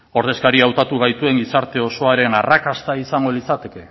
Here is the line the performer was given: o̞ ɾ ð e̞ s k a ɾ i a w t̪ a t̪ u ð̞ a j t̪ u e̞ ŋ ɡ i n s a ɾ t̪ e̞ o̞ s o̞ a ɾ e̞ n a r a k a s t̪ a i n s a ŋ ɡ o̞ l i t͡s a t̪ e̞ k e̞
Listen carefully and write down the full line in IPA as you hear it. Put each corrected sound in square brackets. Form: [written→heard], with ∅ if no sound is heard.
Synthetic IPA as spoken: o̞ ɾ ð e̞ s k a ɾ i a w t̪ a t̪ u [ð̞→ɣ̞] a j t̪ u e̞ ŋ ɡ i [n→∅] s a ɾ t̪ e̞ o̞ s o̞ a ɾ e̞ n a r a k a s t̪ a i [n→∅] s a ŋ ɡ o̞ l i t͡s a t̪ e̞ k e̞